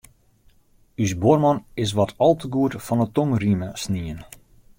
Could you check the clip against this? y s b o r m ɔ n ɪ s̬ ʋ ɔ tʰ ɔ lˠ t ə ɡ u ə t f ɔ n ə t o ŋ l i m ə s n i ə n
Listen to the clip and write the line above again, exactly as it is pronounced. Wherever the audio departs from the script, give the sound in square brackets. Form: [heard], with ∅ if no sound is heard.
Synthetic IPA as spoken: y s b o r m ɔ n ɪ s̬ ʋ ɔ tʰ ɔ lˠ t ə ɡ u ə t f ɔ n ə t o ŋ [r] i m ə s n i ə n